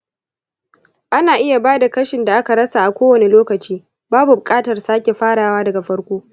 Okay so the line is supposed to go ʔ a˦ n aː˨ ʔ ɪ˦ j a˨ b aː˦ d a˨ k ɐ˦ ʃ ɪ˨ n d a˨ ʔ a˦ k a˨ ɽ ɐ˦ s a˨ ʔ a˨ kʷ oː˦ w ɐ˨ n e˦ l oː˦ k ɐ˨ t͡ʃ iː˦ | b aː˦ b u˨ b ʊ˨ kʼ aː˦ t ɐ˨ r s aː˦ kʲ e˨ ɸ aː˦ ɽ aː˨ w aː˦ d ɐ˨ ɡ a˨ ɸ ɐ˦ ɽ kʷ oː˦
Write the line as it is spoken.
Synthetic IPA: ʔ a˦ n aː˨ ʔ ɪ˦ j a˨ b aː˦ d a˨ k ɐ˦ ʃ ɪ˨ n d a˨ ʔ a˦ k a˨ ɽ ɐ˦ s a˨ ʔ a˨ kʷ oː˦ w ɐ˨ n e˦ l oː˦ k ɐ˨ t͡ʃ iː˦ | b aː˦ b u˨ b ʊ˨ kʼ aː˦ t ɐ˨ r s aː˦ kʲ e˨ ɸ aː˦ ɽ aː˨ w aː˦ d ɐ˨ ɡ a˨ ɸ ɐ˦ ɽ kʷ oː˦